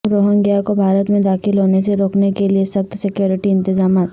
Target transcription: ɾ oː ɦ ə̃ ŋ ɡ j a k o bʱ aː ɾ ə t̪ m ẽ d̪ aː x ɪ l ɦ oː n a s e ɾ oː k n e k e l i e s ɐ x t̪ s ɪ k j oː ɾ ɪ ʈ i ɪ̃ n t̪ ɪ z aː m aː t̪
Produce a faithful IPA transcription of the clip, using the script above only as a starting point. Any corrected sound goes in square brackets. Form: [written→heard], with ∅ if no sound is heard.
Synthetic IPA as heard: ɾ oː ɦ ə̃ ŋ ɡ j a k o bʱ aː ɾ ə t̪ m ẽ d̪ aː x ɪ l ɦ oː n [a→e] s e ɾ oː k n e k e l i e s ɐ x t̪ s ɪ k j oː ɾ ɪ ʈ i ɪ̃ n t̪ ɪ z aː m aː t̪